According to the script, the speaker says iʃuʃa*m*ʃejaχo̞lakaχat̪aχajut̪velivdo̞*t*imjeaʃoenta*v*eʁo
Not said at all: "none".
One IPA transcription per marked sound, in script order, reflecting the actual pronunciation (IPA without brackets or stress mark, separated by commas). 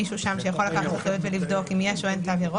m, k, v